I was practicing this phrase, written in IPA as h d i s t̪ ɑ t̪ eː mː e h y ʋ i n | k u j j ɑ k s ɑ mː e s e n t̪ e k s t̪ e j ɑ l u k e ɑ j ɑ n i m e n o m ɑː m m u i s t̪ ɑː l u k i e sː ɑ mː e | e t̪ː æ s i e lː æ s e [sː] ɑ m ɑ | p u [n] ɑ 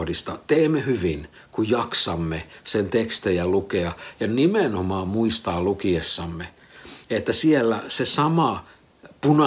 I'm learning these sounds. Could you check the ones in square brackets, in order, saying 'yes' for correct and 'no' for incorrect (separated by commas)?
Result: no, yes